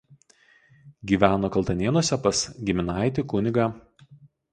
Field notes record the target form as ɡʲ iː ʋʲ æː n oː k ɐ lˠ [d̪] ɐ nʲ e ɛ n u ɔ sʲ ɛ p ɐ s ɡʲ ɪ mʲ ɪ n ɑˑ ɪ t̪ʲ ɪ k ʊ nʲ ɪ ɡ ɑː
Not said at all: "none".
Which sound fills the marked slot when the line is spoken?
t̪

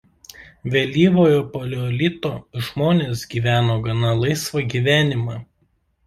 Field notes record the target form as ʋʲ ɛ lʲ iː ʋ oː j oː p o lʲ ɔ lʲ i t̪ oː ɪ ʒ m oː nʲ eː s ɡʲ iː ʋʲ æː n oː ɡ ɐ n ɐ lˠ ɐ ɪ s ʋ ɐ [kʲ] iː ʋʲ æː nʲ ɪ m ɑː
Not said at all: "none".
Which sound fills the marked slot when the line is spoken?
ɡʲ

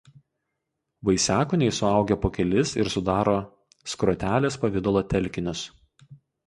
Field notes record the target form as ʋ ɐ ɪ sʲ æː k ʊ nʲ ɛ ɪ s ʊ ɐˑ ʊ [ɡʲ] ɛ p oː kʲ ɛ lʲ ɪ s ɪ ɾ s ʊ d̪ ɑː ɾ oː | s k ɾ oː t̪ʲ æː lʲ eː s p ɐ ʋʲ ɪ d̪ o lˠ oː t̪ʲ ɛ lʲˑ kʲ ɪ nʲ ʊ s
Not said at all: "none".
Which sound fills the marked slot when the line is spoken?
ɡʲ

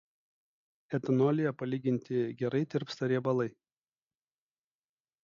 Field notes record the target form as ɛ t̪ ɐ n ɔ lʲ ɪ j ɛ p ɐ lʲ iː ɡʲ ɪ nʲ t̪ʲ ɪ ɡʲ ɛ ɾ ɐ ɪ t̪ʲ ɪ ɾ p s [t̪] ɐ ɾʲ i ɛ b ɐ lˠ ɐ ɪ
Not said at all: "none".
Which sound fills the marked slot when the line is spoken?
t̪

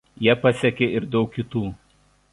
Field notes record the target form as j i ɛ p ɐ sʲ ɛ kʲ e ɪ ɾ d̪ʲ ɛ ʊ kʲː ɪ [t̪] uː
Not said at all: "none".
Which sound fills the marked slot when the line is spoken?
t̪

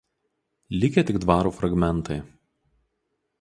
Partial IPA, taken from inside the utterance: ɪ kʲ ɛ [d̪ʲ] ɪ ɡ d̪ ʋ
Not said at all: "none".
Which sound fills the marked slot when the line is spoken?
t̪ʲ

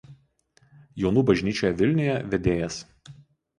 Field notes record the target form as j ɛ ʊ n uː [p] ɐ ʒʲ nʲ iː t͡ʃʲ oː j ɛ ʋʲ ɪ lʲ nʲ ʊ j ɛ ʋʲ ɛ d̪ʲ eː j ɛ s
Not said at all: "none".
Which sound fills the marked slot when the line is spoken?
b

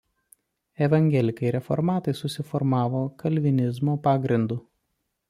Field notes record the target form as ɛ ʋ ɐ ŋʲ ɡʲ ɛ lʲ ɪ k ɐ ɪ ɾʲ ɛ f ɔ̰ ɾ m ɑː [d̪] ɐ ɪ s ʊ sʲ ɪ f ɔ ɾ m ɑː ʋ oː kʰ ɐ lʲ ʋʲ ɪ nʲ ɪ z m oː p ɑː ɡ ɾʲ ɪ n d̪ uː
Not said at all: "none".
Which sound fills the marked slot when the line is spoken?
t̪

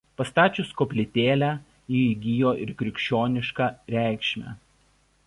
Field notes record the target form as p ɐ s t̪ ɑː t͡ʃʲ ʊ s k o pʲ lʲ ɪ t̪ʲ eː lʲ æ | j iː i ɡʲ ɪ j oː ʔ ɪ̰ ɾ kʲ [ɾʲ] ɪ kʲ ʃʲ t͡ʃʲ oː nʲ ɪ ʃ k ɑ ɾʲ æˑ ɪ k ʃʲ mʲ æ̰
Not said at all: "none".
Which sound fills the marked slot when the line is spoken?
ɾʲ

